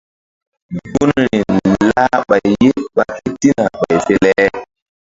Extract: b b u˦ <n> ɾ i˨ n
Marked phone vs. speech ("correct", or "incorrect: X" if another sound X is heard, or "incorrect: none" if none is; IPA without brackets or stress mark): correct